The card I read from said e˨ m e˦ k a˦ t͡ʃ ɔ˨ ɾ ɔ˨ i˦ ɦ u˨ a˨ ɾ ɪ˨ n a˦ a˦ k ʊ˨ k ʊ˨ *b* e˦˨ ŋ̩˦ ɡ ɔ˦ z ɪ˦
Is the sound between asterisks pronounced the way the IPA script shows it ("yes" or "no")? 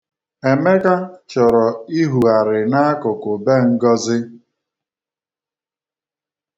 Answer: yes